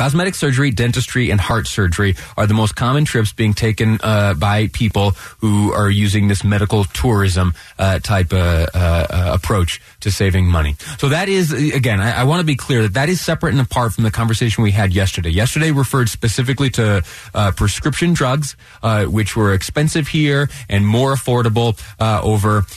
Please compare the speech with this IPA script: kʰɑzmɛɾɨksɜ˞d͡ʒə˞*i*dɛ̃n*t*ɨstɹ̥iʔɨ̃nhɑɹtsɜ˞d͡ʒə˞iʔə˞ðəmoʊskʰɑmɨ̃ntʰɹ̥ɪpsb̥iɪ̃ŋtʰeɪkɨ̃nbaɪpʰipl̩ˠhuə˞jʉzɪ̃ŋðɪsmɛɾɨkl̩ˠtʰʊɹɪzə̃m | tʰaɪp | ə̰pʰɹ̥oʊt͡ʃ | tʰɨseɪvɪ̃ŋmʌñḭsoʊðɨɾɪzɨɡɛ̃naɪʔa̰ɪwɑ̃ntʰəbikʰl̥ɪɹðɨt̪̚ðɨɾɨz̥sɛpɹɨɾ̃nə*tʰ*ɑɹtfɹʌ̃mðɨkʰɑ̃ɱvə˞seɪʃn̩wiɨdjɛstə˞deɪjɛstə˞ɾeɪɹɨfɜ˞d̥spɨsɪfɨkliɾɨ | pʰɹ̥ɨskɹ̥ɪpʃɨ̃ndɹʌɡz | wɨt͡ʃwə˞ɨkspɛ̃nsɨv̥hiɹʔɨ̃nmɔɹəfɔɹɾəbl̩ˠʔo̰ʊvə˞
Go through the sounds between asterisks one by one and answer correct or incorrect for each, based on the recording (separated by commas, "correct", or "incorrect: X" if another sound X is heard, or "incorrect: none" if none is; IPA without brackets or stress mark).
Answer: correct, correct, incorrect: pʰ